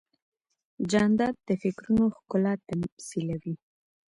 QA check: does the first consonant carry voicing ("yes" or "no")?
yes